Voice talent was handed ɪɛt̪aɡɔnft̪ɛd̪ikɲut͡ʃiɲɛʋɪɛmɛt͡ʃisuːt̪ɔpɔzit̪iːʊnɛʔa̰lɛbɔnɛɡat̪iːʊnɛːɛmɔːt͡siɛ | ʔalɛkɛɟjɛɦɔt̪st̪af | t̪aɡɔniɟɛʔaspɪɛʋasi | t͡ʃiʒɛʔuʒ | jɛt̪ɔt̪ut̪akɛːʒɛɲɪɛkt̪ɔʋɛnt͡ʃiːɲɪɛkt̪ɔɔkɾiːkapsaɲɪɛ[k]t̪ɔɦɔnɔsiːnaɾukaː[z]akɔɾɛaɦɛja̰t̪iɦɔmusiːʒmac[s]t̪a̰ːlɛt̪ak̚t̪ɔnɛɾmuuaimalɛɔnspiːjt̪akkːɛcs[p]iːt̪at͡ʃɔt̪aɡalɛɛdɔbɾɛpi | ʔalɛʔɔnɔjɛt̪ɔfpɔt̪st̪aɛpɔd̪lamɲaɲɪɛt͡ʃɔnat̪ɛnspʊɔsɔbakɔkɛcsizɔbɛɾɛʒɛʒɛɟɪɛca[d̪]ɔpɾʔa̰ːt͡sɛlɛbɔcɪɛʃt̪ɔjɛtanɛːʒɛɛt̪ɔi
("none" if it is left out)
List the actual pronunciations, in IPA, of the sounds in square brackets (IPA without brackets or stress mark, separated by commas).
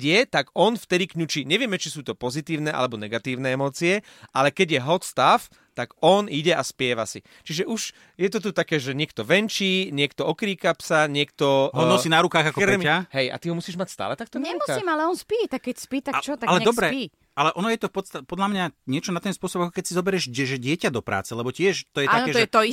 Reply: k, ɣ, s, p, d̪